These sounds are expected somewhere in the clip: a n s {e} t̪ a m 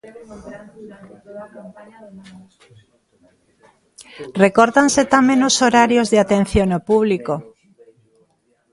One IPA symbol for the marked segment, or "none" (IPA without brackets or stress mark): e